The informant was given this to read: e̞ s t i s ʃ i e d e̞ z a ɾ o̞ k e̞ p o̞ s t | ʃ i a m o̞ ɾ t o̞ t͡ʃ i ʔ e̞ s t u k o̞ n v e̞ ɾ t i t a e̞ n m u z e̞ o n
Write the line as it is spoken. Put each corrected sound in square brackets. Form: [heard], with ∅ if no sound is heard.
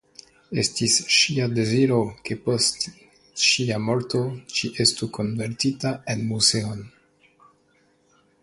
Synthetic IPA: e̞ s t i s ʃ i [a] d e̞ z [i] ɾ o̞ k e̞ p o̞ s t | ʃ i a m o̞ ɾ t o̞ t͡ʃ i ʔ e̞ s t u k o̞ n v e̞ ɾ t i t a e̞ n m u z e̞ o n